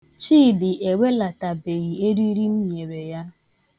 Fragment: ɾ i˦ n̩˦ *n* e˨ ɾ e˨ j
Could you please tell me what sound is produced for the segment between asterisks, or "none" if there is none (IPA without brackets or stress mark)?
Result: ɲ